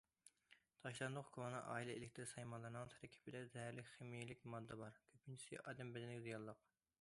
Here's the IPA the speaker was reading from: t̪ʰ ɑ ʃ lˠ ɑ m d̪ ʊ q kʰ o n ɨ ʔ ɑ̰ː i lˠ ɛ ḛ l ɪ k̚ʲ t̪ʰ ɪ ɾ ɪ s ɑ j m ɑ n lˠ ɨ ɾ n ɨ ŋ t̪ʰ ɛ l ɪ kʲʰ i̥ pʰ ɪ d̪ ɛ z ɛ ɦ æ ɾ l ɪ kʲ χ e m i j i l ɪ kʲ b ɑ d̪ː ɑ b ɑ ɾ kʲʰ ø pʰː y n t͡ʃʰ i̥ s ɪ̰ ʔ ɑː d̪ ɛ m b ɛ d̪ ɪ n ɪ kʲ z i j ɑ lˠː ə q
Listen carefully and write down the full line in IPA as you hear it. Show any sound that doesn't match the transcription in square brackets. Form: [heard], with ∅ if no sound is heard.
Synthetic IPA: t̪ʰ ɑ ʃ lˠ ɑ [n] d̪ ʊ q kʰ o n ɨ ʔ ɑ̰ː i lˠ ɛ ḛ l ɪ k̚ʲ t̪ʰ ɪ ɾ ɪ s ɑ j m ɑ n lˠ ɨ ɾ n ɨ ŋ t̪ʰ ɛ [ɾ] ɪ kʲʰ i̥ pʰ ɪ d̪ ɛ z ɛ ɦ æ ɾ l ɪ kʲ χ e m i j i l ɪ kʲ [m] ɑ d̪ː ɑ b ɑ ɾ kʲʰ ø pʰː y n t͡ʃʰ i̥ s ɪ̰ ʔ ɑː d̪ ɛ m b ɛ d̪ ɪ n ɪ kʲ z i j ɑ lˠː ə q

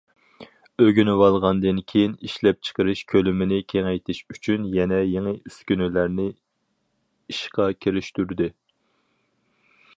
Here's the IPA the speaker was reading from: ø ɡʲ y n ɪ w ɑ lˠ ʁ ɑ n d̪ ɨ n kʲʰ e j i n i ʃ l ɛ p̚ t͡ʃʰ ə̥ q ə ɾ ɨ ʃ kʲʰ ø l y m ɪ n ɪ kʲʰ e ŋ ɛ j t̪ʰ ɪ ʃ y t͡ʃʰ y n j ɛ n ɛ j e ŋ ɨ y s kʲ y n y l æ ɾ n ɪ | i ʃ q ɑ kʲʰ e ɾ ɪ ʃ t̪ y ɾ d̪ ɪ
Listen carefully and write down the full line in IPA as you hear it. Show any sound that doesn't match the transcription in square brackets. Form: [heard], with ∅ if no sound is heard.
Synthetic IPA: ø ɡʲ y n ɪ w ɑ lˠ ʁ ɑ n d̪ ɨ n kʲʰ e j i n i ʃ l ɛ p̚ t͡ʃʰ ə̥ q ə ɾ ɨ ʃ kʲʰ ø l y m ɪ n ɪ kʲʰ e ŋ ɛ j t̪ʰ ɪ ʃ y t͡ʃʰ y n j ɛ n ɛ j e ŋ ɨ y s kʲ y n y l æ ɾ n ɪ | i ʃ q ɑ kʲʰ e ɾ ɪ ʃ t̪ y ɾ d̪ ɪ

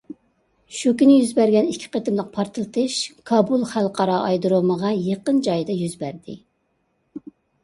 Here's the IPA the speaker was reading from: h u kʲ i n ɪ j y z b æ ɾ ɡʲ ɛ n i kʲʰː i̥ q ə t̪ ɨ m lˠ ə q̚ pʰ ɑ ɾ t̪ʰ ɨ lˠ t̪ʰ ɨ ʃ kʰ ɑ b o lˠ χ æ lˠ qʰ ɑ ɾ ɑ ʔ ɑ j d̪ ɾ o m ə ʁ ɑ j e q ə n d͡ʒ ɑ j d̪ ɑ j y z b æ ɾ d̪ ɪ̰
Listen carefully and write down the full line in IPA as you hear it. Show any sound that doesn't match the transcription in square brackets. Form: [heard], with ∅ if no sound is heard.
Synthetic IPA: [ʃ] u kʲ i n ɪ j y z b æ ɾ ɡʲ ɛ n i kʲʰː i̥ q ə t̪ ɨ m lˠ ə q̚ pʰ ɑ ɾ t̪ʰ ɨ lˠ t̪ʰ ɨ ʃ kʰ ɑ b [u] lˠ χ æ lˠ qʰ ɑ ɾ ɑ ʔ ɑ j d̪ ɾ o m ə ʁ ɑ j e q ə n d͡ʒ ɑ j d̪ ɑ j y z b æ ɾ d̪ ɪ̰

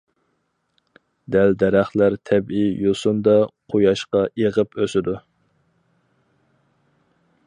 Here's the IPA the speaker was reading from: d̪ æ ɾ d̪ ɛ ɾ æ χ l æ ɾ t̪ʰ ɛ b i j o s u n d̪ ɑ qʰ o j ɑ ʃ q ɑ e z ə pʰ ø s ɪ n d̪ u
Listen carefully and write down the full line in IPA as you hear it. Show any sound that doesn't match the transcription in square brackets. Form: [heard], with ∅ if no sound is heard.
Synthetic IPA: d̪ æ [l] d̪ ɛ ɾ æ χ l æ ɾ t̪ʰ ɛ b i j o s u n d̪ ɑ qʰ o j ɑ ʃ q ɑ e [ʁ] ə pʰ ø s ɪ [∅] d̪ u

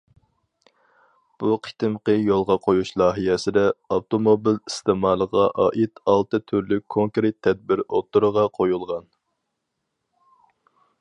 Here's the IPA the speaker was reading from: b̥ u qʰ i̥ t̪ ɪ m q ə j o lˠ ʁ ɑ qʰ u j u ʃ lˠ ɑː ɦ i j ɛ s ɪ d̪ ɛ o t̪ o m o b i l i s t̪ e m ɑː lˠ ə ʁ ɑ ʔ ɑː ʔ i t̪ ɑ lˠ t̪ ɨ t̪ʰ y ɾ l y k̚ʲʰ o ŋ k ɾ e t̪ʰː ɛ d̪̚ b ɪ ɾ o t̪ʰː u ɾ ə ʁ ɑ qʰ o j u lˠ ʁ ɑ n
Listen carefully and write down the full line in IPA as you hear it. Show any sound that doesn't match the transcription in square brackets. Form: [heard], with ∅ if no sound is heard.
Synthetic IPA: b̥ u qʰ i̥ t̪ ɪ m q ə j o lˠ ʁ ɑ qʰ [o] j u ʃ lˠ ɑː ɦ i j ɛ s ɪ d̪ ɛ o t̪ o m o b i l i s t̪ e m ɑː lˠ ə ʁ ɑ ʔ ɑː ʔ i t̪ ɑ lˠ t̪ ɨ t̪ʰ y ɾ l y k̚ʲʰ o ŋ k ɾ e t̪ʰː ɛ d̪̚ b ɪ ɾ o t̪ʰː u ɾ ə ʁ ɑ qʰ o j u lˠ ʁ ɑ n

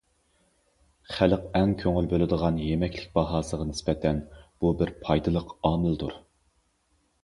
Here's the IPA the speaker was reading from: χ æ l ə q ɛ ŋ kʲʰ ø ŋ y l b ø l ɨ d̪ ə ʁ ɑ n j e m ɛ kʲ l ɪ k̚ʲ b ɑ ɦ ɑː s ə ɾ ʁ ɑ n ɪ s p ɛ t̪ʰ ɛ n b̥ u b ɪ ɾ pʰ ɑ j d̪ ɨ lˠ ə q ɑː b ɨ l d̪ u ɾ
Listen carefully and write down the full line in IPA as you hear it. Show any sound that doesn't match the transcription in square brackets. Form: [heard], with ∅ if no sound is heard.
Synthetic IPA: χ æ l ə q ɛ ŋ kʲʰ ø ŋ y l b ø l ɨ d̪ ə ʁ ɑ n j e m ɛ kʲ l ɪ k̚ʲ b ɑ ɦ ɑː s ə [∅] ʁ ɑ n ɪ s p ɛ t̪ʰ ɛ n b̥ u b ɪ ɾ pʰ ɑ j d̪ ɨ lˠ ə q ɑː [m] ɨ l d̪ u ɾ

